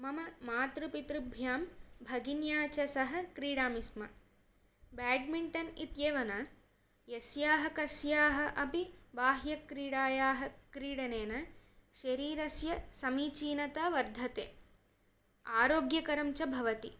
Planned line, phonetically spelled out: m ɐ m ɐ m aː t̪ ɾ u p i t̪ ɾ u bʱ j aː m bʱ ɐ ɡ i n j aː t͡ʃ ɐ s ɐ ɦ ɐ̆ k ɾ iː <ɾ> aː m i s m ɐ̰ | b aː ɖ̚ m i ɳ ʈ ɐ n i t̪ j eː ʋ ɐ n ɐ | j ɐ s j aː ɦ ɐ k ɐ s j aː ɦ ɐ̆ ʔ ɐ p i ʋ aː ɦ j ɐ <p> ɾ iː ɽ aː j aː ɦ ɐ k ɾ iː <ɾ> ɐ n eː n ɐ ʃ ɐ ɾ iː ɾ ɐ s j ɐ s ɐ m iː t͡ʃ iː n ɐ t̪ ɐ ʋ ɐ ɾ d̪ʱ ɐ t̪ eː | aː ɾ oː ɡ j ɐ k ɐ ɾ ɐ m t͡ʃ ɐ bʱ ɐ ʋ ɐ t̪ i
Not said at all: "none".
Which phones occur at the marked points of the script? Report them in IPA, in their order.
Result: ɽ, k, ɽ

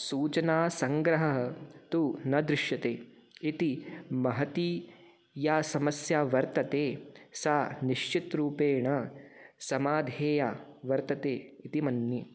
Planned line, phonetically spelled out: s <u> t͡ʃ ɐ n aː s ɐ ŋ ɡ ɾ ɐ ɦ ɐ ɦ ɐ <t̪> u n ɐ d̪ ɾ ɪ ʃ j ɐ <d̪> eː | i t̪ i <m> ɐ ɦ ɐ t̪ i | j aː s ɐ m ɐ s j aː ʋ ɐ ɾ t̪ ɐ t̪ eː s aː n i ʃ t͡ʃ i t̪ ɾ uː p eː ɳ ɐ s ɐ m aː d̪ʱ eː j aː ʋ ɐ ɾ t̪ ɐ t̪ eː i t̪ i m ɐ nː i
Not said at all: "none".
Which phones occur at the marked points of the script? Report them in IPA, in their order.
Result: uː, t̪, t̪, m

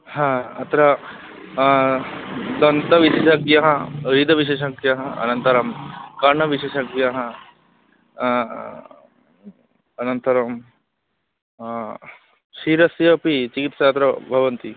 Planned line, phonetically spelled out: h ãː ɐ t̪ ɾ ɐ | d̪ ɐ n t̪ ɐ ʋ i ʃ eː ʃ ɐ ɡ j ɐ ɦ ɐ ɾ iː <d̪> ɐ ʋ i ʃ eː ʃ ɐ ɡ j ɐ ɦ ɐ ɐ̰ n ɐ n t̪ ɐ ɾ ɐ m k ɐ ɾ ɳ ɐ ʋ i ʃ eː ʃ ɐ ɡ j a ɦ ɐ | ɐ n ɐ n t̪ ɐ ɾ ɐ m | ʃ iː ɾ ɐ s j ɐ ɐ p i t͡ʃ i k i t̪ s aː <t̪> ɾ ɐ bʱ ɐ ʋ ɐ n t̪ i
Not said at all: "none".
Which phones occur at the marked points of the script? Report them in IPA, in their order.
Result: d̪, t̪

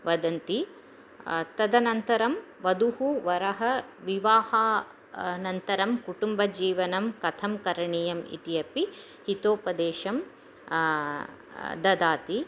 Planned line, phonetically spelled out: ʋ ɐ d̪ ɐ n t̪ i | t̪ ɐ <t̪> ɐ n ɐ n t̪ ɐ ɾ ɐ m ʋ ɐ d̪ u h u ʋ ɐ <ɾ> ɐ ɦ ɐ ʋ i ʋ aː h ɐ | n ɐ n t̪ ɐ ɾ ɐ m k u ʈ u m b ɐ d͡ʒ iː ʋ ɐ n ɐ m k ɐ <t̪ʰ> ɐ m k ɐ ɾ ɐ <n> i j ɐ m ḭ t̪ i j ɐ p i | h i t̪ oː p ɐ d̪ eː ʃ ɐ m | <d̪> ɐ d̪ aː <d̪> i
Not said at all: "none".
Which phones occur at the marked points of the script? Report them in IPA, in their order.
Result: d̪, ɾ, t̪ʰ, ɳ, d̪, t̪

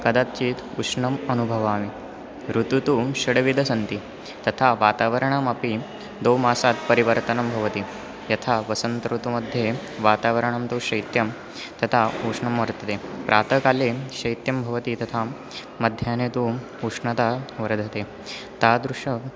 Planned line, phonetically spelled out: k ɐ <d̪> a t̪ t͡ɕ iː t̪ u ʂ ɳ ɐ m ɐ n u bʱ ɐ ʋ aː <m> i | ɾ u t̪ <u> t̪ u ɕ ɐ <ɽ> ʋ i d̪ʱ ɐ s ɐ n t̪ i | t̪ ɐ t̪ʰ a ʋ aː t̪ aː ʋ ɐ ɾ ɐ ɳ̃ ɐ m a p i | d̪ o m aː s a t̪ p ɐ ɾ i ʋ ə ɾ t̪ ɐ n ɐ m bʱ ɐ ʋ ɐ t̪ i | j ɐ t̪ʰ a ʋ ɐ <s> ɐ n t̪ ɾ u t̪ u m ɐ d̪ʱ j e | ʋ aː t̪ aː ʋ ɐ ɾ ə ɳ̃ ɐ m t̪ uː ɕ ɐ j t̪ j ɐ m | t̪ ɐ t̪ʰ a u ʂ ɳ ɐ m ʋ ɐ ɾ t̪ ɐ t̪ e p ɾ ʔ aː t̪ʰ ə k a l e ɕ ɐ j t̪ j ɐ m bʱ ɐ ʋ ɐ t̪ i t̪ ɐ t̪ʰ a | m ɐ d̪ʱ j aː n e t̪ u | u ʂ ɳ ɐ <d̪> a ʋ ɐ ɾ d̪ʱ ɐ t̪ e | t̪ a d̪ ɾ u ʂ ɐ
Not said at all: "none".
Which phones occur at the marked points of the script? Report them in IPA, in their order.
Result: d̪, m, u, ɽ, s, t̪

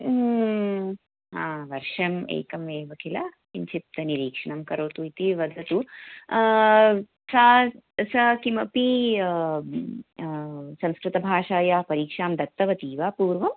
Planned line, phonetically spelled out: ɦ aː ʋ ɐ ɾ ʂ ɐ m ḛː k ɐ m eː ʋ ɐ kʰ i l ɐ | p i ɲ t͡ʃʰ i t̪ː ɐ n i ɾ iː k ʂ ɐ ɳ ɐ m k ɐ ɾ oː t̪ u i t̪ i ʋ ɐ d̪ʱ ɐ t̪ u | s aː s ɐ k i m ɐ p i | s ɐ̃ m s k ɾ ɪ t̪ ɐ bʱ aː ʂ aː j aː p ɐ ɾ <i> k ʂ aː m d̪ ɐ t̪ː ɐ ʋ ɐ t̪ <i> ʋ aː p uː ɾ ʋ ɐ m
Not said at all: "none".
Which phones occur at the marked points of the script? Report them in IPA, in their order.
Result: iː, iː

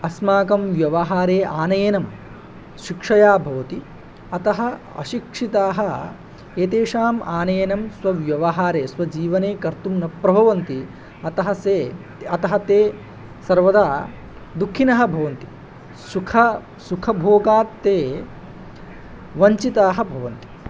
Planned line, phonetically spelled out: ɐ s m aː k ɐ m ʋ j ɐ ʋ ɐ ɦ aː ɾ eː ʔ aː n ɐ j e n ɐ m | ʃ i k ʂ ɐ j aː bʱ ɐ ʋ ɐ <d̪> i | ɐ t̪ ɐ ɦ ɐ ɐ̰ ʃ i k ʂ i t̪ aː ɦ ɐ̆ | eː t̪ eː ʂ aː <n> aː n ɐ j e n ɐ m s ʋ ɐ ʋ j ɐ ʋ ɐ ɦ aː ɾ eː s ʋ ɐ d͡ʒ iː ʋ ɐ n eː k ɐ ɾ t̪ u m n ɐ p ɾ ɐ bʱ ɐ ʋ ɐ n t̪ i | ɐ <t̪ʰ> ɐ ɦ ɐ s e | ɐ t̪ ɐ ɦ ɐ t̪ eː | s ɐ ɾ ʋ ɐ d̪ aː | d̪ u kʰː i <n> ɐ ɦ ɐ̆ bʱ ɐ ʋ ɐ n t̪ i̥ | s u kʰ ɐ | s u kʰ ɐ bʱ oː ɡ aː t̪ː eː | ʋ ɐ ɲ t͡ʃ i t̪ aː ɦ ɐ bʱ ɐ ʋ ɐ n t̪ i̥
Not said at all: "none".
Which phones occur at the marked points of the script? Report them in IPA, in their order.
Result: t̪, m, t̪, n

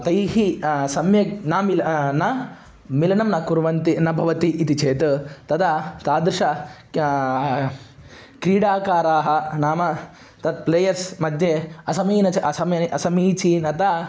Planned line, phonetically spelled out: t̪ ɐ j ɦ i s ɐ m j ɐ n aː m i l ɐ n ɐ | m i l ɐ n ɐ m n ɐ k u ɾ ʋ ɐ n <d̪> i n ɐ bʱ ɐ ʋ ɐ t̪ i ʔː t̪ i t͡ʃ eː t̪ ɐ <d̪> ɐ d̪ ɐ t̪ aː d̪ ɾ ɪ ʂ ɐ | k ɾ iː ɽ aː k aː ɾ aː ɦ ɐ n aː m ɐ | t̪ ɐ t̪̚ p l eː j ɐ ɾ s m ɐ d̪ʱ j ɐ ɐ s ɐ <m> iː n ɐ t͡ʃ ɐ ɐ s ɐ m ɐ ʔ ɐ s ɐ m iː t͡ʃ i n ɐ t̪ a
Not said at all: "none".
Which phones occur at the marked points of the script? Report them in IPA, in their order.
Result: t̪, t̪, m

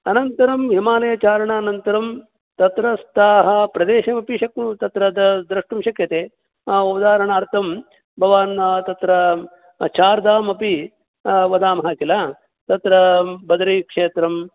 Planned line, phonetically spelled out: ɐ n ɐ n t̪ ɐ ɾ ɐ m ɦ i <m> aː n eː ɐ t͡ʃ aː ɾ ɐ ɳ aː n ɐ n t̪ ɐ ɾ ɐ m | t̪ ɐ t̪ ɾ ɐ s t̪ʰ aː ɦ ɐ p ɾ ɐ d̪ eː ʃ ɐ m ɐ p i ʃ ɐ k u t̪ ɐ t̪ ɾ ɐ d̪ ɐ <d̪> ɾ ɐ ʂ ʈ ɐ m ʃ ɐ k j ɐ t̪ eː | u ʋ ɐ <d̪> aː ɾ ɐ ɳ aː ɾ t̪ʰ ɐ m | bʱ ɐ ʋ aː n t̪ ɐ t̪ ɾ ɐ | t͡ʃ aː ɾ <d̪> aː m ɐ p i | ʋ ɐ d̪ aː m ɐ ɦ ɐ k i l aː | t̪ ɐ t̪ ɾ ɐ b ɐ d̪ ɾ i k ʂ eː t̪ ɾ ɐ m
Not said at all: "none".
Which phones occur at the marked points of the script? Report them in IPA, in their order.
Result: m, d̪, d̪, d̪

